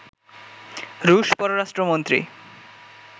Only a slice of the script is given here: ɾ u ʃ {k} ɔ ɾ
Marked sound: incorrect: p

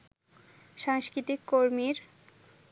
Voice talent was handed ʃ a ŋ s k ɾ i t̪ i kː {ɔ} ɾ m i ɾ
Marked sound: incorrect: o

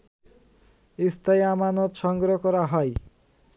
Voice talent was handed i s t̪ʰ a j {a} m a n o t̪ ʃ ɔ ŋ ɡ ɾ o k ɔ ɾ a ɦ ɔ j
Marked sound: correct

